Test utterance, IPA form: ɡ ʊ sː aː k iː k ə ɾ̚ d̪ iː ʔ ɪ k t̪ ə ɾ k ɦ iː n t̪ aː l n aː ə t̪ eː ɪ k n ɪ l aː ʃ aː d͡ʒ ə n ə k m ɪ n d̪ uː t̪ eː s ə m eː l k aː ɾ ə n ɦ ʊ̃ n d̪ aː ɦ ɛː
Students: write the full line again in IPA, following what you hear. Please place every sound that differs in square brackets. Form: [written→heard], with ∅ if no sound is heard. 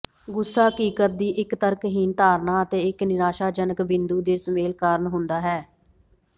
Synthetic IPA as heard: ɡ ʊ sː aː k iː k ə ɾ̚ d̪ iː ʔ ɪ k t̪ ə ɾ k ɦ iː n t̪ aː [l→ɾ] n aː ə t̪ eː ɪ k n ɪ [l→ɾ] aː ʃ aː d͡ʒ ə n ə k [m→b] ɪ n d̪ uː [t̪→d̪] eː s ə m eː l k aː ɾ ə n ɦ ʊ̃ n d̪ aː ɦ ɛː